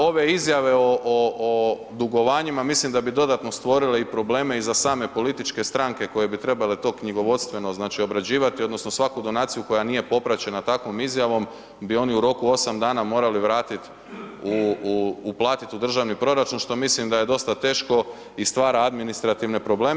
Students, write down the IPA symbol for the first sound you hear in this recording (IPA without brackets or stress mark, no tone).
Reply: o̞